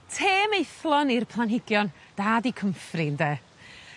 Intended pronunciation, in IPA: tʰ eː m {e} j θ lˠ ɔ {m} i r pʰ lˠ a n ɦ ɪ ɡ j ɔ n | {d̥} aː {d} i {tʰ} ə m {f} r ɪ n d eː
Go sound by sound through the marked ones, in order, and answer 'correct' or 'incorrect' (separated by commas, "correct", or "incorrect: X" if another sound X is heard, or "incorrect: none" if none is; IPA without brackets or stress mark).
correct, incorrect: n, correct, correct, incorrect: kʰ, correct